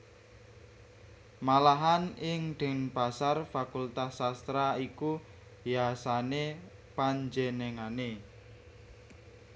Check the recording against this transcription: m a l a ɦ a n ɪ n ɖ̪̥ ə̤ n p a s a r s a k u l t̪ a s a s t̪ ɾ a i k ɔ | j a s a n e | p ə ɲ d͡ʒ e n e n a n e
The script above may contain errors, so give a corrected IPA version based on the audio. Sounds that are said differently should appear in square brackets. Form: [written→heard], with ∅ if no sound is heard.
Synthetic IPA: m a l a ɦ a n ɪ [n→ŋ] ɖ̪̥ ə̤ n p a s a r [s→f] a k u l t̪ a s a s t̪ ɾ a i k [ɔ→u] | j a s a n e | p [ə→a] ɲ d͡ʒ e n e [n→ŋ] a n e